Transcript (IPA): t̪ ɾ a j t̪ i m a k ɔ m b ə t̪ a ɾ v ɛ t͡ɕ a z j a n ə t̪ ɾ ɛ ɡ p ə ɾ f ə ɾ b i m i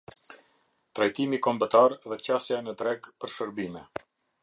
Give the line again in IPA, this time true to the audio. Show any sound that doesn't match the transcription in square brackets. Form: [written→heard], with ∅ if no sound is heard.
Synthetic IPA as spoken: t̪ ɾ a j t̪ i m [a→i] k ɔ m b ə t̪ a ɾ [v→ð] ɛ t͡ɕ a [z→s] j a n ə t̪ ɾ ɛ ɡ p ə ɾ [f→ʃ] ə ɾ b i m [i→ɛ]